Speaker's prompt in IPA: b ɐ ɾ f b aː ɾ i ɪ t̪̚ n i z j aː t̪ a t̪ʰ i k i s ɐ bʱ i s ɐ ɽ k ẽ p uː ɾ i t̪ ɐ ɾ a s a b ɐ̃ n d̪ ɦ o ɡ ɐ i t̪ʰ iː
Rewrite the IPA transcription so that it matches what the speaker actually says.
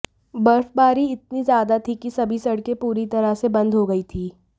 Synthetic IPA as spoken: b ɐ ɾ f b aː ɾ i ɪ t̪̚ n i z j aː d̪ a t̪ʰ i k i s ɐ bʱ i s ɐ ɽ k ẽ p uː ɾ i t̪ ɐ ɾ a s e b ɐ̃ n d̪ ɦ o ɡ ɐ i t̪ʰ iː